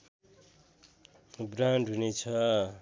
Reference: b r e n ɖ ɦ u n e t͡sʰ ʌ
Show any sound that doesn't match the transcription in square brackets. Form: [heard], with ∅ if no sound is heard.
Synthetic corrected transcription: b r [a] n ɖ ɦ u n e t͡sʰ ʌ